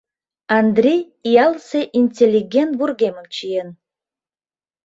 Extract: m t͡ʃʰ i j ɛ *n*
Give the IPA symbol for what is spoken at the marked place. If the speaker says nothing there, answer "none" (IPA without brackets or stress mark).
n